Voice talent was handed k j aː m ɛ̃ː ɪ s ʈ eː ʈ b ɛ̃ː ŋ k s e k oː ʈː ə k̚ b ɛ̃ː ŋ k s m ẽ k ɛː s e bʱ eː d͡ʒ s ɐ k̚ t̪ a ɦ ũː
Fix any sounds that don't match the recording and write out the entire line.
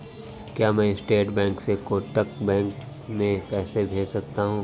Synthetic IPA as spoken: k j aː m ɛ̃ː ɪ s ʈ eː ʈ b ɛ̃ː ŋ k s e k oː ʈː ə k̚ b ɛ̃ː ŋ k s m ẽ k ɛː s e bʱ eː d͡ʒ s ɐ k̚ t̪ a ɦ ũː

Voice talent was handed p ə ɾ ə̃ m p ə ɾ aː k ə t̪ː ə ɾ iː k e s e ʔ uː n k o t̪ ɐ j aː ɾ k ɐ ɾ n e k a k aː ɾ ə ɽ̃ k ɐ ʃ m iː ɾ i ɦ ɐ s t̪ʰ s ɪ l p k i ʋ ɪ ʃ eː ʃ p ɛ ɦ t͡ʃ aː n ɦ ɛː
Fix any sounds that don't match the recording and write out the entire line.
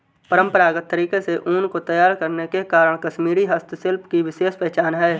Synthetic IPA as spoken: p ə ɾ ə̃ m p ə ɾ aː ɡ ə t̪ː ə ɾ iː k e s e ʔ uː n k o t̪ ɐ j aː ɾ k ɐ ɾ n e k e k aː ɾ ə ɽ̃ k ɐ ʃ m iː ɾ i ɦ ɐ s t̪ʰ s ɪ l p k i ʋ ɪ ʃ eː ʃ p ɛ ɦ t͡ʃ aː n ɦ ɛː

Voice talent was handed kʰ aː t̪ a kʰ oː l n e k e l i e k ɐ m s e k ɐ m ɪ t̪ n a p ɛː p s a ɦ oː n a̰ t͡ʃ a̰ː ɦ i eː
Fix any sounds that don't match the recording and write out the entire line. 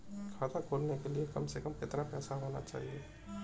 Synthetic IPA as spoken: kʰ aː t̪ a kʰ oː l n e k e l i e k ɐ m s e k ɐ m ɪ t̪ n a p ɛː s a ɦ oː n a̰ t͡ʃ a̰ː ɦ i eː

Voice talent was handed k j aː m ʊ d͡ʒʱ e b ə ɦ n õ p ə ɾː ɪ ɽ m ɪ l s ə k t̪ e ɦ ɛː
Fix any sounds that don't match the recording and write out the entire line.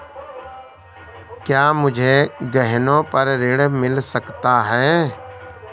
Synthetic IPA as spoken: k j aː m ʊ d͡ʒʱ e ɡ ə ɦ n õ p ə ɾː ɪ ɽ m ɪ l s ə k t̪ a ɦ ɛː

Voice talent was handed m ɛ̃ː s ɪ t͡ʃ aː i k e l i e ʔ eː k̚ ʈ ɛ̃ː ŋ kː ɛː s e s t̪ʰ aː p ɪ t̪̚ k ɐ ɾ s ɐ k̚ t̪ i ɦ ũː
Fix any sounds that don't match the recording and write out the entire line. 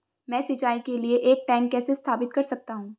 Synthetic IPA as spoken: m ɛ̃ː s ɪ t͡ʃ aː i k e l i e ʔ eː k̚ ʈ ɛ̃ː ŋ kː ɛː s e s t̪ʰ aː p ɪ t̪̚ k ɐ ɾ s ɐ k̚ t̪ a ɦ ũː

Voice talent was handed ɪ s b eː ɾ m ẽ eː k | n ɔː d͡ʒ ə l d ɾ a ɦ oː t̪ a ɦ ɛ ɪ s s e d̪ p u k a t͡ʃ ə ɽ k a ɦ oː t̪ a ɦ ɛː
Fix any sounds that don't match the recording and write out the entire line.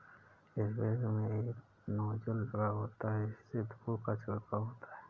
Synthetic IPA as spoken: ɪ s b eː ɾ m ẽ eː k | n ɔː d͡ʒ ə l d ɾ a ɦ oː t̪ a ɦ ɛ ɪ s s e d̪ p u k a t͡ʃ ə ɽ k a ɦ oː t̪ a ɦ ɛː

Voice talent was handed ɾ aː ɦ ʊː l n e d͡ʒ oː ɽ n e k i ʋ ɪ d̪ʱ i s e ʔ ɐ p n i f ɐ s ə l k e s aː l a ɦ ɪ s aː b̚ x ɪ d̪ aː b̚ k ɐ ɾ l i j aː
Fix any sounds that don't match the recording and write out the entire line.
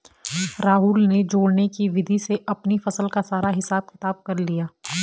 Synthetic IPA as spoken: ɾ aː ɦ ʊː l n e d͡ʒ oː ɽ n e k i ʋ ɪ d̪ʱ i s e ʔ ɐ p n i f ɐ s ə l k a s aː ɾ a ɦ ɪ s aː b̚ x ɪ t̪ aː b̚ k ɐ ɾ l i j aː

